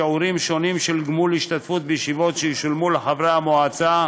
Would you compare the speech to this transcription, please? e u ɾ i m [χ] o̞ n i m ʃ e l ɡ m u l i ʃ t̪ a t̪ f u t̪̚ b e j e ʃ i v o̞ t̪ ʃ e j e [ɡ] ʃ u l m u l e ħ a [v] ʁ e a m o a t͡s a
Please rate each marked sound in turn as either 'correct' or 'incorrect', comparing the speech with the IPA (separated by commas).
incorrect, incorrect, correct